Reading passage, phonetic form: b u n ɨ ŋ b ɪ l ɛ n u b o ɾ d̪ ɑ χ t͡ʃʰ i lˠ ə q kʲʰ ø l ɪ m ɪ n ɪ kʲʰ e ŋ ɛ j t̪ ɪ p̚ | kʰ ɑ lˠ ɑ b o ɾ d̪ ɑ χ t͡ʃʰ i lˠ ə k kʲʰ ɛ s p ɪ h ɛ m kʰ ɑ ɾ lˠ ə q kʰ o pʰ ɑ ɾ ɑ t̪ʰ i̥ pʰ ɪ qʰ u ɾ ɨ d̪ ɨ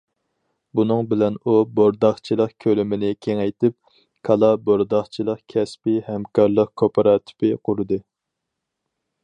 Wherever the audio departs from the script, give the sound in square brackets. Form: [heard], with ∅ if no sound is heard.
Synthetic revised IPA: b u n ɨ ŋ b ɪ l ɛ n u b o ɾ d̪ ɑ χ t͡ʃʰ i lˠ ə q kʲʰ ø l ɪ m ɪ n ɪ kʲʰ e ŋ ɛ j t̪ ɪ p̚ | kʰ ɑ lˠ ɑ b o ɾ d̪ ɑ χ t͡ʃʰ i lˠ ə [q] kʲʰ ɛ s p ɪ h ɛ m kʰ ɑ ɾ lˠ ə q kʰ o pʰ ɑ ɾ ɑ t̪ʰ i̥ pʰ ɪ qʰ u ɾ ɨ d̪ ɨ